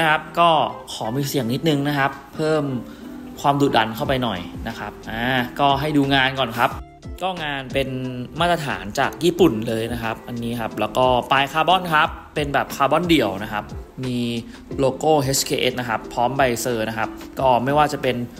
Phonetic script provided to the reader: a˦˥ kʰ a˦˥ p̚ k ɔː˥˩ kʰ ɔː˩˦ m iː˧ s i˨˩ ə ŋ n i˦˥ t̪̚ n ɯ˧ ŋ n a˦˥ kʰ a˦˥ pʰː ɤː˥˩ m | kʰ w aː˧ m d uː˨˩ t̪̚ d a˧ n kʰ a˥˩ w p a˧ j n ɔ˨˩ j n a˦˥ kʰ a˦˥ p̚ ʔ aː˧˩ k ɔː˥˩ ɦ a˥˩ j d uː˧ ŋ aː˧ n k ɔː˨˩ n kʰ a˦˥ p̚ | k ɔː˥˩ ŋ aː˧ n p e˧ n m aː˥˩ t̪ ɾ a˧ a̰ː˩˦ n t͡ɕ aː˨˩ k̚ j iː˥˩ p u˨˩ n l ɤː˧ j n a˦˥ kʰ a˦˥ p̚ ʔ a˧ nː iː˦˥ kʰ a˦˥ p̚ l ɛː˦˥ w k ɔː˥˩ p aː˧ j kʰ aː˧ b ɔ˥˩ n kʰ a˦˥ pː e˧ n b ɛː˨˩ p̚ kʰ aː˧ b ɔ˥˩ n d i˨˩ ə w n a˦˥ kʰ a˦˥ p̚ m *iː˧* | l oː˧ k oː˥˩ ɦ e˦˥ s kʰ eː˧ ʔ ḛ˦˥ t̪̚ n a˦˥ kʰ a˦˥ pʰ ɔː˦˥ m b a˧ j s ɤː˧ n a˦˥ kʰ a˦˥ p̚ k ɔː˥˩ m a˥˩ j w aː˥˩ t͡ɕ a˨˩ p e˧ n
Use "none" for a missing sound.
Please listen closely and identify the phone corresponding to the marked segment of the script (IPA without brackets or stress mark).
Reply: iː˧